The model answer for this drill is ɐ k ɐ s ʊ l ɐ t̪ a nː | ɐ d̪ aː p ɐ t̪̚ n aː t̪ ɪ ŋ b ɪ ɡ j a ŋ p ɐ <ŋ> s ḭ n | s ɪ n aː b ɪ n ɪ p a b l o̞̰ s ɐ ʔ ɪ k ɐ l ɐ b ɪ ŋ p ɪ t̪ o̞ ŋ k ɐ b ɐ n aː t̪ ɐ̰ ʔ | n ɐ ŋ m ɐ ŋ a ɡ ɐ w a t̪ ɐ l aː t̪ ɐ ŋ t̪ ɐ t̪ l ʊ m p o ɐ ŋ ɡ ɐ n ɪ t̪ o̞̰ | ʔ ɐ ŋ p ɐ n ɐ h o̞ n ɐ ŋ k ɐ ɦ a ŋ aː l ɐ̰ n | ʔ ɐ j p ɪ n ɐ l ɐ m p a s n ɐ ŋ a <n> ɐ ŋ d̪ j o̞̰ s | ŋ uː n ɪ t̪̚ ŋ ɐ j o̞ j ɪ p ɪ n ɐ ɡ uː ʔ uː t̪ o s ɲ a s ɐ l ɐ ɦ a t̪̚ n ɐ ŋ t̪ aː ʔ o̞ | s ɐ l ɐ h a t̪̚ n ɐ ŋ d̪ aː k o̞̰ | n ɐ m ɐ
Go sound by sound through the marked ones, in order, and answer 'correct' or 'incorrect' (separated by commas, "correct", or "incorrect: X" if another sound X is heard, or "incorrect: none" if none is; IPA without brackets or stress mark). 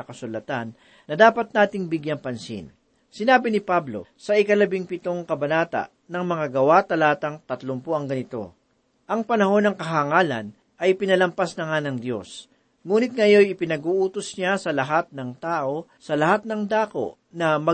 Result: incorrect: n, correct